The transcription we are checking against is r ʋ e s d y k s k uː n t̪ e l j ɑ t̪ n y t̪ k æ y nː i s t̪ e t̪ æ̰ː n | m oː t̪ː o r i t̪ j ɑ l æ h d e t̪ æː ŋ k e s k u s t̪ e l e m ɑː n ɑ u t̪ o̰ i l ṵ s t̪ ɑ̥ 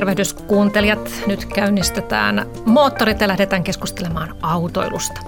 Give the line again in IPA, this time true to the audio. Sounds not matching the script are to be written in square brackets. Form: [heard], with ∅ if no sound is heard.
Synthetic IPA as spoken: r ʋ e [h] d y [∅] s k uː n t̪ e l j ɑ t̪ n y t̪ k æ y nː i s t̪ e t̪ æ̰ː n | m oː t̪ː o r i t̪ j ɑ l æ h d e t̪ æː ŋ k e s k u s t̪ e l e m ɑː n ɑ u t̪ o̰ i l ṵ s t̪ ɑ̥